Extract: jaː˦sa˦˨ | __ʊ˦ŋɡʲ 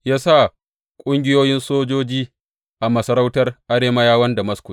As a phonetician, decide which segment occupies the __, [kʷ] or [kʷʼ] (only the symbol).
kʷʼ